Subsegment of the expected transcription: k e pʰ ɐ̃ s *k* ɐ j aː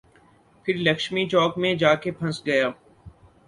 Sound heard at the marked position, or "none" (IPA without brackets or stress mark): ɡ